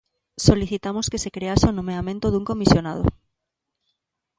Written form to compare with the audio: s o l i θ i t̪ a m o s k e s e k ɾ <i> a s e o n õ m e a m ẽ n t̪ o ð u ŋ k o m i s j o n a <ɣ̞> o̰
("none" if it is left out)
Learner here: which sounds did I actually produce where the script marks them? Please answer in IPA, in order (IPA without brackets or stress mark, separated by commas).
e, ð̞